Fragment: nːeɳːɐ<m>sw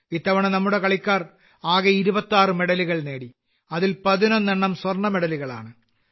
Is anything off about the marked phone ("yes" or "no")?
no